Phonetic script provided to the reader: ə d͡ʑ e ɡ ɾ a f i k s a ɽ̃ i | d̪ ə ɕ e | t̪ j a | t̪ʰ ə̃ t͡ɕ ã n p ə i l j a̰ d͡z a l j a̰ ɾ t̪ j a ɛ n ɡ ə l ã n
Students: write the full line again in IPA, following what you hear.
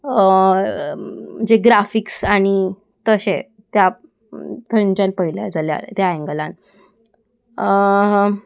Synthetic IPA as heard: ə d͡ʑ e ɡ ɾ a f i k s a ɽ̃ i | t̪ ə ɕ e | t̪ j a | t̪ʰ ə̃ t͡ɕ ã n p ə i l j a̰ d͡z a l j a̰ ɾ t̪ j a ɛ ŋ ɡ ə l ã n